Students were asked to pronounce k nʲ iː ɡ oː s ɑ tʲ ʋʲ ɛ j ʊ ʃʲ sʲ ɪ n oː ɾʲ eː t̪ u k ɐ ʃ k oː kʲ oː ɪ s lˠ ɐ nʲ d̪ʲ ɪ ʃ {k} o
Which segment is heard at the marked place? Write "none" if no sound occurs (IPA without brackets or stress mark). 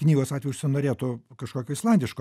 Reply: k